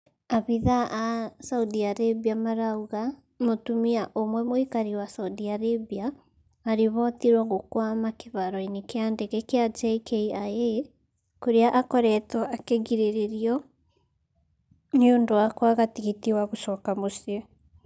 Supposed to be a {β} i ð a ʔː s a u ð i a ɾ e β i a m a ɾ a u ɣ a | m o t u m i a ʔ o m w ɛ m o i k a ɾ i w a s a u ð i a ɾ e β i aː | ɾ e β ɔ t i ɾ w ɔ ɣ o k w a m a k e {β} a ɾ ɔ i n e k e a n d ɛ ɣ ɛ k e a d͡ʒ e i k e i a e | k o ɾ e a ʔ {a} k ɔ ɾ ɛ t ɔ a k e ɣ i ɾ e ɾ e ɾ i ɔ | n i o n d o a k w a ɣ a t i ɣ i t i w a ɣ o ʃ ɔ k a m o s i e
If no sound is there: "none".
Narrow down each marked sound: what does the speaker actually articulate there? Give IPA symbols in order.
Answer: β, β, a

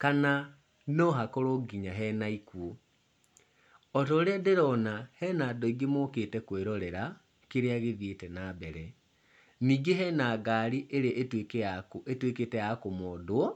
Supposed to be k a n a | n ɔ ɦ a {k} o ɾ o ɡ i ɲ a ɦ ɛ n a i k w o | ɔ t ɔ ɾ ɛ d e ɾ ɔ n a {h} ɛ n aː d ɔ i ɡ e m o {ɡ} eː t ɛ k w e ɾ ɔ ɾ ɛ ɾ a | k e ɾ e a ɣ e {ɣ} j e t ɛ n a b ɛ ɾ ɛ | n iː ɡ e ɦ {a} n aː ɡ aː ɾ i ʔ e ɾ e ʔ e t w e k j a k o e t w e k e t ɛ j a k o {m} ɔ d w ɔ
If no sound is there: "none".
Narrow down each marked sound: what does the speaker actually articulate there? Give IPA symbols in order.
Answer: k, h, k, ð, ɛ, m

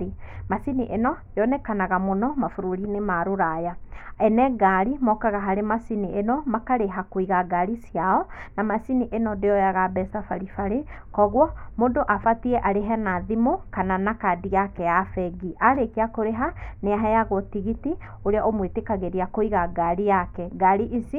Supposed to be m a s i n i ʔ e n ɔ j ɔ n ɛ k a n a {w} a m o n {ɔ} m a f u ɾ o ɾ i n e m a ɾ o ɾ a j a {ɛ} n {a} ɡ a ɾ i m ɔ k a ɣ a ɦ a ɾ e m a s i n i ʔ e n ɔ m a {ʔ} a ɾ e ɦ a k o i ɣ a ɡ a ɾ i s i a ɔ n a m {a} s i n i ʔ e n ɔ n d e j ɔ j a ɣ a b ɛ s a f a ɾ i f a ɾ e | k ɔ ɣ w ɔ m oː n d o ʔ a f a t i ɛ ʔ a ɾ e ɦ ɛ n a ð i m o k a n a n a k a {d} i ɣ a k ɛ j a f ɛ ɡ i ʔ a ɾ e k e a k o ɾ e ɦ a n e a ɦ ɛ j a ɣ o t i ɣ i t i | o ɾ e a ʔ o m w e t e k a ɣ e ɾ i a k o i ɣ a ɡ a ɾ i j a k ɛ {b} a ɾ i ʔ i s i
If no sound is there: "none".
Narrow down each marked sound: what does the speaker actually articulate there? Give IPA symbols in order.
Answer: ɣ, ɔ, ɛ, ɛ, k, a, d, ɡ

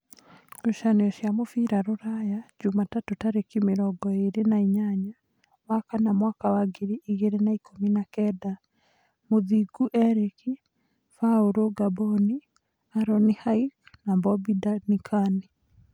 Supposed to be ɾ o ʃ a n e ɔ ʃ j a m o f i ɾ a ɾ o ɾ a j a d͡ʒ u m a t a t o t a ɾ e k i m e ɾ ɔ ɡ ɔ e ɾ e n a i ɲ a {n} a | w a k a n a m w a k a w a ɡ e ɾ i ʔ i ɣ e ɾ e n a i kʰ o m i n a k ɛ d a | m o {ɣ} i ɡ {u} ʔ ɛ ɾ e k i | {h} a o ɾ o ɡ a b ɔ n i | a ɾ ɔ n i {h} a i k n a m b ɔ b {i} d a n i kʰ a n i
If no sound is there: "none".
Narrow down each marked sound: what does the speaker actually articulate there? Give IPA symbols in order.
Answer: ɲ, ð, u, f, h, i

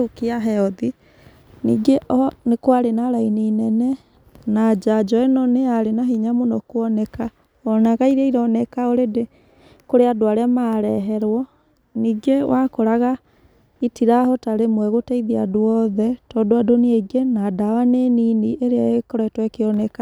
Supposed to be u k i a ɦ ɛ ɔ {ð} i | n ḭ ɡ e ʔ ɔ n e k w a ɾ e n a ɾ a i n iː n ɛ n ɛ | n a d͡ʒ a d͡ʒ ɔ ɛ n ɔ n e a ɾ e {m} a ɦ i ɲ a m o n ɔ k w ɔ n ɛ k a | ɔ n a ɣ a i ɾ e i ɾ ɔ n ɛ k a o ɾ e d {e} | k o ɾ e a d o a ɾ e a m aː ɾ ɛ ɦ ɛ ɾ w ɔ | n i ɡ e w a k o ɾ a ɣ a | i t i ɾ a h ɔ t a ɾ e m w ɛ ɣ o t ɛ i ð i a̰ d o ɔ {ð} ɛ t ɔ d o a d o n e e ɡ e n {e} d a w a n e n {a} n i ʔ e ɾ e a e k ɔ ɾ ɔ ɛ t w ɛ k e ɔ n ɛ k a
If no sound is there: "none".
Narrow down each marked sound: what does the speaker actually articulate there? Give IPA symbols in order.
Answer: ð, n, e, ð, a, i

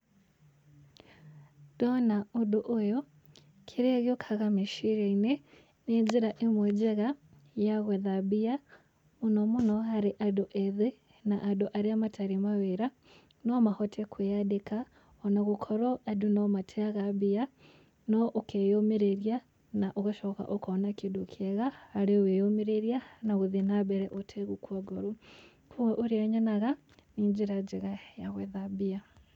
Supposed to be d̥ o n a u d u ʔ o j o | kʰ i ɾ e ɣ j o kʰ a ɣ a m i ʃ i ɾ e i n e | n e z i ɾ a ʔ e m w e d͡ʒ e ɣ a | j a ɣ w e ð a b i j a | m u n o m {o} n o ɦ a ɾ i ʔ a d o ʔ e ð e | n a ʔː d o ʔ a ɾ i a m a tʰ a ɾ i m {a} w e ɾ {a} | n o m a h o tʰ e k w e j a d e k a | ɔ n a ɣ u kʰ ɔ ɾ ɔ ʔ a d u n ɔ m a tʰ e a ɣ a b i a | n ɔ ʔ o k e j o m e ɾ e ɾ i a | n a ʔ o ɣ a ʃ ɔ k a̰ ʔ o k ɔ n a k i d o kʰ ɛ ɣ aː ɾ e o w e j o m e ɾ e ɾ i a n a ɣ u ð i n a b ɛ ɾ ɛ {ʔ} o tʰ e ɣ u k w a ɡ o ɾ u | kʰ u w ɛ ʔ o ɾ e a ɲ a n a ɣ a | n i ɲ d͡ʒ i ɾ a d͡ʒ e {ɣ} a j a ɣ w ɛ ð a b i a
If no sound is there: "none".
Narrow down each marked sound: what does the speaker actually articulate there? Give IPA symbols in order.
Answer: u, a, a, ʔ, ɣ

